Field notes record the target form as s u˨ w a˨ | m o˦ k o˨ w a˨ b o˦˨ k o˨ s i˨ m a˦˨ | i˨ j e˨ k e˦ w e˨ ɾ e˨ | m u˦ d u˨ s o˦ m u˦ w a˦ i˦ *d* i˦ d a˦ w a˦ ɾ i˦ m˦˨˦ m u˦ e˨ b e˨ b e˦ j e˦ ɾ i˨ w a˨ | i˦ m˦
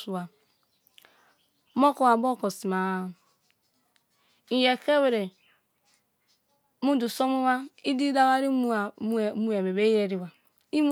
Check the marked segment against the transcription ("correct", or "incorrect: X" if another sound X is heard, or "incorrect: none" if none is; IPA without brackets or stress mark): correct